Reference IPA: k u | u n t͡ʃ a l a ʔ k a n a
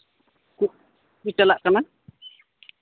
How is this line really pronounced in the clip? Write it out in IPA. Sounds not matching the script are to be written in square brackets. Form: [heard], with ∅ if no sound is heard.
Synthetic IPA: k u | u [∅] t͡ʃ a l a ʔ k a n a